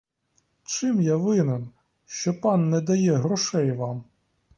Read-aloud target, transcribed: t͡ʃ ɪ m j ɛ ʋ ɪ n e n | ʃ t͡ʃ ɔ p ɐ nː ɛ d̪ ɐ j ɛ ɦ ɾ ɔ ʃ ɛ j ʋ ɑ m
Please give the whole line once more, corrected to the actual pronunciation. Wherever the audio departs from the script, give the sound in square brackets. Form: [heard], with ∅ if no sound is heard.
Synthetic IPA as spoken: t͡ʃ ɪ m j [a] ʋ ɪ n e n | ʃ t͡ʃ ɔ p [ɑ] nː ɛ d̪ ɐ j ɛ ɦ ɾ ɔ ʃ ɛ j ʋ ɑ m